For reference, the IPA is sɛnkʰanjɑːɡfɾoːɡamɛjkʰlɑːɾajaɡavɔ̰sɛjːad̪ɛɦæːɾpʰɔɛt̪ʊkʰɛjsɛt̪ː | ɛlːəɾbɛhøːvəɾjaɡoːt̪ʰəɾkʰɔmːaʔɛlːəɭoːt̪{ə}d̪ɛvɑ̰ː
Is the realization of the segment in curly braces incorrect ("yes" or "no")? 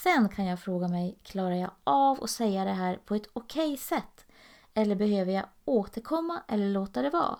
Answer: yes